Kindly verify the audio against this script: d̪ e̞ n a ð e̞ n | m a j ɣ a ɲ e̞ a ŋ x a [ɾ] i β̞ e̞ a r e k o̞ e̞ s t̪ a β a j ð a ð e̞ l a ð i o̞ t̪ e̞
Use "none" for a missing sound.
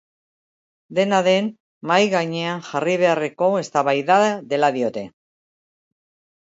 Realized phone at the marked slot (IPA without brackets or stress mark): r